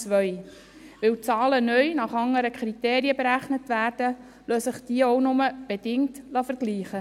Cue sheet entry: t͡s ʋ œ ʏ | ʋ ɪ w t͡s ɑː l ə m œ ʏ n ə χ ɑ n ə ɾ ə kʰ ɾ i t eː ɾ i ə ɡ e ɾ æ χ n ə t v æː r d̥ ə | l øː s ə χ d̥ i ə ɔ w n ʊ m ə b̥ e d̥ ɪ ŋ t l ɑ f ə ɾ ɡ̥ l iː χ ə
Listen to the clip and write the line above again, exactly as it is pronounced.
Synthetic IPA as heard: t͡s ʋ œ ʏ | ʋ ɪ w t͡s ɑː l ə n œ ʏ n ɑ χ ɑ ŋ ə ɾ ə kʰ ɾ i t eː ɾ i ə b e ɾ æ χ n ə t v æː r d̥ ə | l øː s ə χ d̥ i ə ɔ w n ʊ m ə b̥ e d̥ ɪ ŋ t l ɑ f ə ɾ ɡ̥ l iː χ ə